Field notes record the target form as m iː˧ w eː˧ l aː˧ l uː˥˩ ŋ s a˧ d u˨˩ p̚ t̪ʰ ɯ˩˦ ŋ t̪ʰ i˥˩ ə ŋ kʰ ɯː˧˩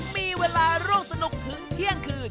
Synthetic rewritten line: m iː˧ w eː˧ l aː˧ ɾ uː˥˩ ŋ s a˧ n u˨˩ k̚ t̪ʰ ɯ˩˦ ŋ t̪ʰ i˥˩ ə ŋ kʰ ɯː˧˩

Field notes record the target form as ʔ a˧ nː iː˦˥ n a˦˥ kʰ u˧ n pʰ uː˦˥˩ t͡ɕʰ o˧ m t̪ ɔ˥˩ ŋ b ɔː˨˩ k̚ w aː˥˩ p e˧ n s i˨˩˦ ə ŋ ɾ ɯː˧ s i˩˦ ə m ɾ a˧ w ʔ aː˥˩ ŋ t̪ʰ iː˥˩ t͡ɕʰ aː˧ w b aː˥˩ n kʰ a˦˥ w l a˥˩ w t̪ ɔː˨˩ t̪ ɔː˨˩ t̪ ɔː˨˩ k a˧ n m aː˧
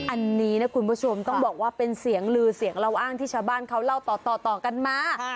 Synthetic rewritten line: ʔ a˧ nː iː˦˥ n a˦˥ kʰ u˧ n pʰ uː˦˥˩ t͡ɕʰ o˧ m t̪ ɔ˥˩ ŋ b ɔː˨˩ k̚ w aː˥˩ p e˧ n s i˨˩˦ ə ŋ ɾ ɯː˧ s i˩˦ ə ŋ ɾ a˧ w ʔ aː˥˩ ŋ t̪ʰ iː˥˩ t͡ɕʰ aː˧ w b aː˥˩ n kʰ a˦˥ w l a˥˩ w t̪ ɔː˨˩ t̪ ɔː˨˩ t̪ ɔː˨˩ k a˧ n m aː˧

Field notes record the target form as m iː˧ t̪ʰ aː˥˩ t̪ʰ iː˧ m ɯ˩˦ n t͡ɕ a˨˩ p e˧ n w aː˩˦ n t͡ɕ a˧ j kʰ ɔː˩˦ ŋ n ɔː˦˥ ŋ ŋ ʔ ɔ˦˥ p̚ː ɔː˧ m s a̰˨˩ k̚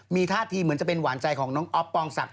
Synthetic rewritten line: m iː˧ t̪ʰ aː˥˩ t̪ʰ iː˧ m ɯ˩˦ n t͡ɕ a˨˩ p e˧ n w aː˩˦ n t͡ɕ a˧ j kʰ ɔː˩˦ ŋ n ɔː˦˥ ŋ ŋ ʔ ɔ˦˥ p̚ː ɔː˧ ŋ s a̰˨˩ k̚

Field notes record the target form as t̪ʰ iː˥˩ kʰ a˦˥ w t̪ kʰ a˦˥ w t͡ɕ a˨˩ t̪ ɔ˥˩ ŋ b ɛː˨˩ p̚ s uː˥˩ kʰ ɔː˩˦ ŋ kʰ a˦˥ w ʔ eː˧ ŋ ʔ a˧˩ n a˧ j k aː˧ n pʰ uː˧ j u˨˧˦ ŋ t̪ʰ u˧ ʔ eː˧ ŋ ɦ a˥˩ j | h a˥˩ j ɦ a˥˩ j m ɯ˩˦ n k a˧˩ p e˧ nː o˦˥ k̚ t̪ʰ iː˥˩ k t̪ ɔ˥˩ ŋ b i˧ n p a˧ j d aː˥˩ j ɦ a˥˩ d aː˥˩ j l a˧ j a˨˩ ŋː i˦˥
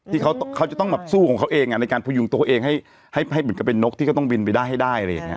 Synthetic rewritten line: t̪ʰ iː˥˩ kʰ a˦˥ w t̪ kʰ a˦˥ w t͡ɕ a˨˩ t̪ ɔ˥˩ ŋ b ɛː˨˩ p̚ s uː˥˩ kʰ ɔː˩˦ ŋ kʰ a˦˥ w ʔ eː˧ ŋ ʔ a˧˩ n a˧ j k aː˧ n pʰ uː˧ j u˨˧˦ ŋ t̪ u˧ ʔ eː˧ ŋ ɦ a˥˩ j | h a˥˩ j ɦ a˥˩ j m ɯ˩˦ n k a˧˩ p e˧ nː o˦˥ k̚ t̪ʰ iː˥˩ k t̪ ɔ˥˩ ŋ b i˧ n p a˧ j d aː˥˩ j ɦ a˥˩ d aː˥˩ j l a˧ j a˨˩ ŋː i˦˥

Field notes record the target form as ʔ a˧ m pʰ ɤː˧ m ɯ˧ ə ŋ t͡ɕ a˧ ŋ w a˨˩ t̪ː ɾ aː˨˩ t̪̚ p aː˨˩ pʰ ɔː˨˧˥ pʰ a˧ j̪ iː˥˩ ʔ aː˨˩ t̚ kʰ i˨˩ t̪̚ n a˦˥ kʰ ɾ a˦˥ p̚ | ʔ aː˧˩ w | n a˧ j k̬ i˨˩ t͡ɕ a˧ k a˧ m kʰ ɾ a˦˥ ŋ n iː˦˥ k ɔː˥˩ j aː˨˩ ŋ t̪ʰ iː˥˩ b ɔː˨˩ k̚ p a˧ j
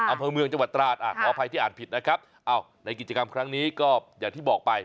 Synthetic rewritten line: ʔ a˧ m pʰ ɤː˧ m ɯ˧ ə ŋ t͡ɕ a˧ ŋ w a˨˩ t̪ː ɾ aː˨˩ t̪̚ ʔ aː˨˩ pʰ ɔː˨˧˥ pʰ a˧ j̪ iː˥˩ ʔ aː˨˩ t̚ pʰ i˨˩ t̪̚ n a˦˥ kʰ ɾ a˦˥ p̚ | ʔ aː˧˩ w | n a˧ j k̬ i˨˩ t͡ɕ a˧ k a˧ m kʰ ɾ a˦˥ ŋ n iː˦˥ k ɔː˥˩ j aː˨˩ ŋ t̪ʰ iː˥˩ b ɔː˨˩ k̚ p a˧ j

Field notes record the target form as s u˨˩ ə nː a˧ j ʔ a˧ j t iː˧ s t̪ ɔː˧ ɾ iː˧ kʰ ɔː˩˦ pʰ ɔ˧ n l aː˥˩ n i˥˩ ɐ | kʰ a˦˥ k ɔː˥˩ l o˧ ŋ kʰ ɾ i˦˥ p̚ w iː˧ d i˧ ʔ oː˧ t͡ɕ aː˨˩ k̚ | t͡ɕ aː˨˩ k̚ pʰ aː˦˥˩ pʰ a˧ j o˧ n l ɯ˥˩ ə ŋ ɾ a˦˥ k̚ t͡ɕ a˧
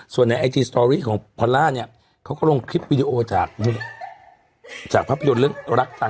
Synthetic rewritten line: s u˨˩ ə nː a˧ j ʔ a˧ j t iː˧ s t̪ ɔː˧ ɾ iː˥˩ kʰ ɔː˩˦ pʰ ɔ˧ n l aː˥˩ n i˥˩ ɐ | kʰ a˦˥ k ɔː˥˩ l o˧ ŋ kʰ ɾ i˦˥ p̚ w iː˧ d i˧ ʔ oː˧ t͡ɕ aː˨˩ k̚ | t͡ɕ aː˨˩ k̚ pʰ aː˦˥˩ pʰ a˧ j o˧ n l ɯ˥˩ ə ŋ ɾ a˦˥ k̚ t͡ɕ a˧

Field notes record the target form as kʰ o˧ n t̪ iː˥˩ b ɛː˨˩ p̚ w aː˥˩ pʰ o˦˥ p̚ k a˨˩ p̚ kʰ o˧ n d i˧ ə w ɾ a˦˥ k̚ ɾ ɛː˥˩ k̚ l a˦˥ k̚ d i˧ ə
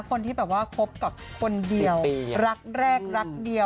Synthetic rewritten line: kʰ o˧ n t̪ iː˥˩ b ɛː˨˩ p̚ w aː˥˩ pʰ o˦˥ p̚ k a˨˩ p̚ kʰ o˧ n d i˧ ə w ɾ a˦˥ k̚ ɾ ɛː˥˩ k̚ ɾ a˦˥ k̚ d i˧ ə

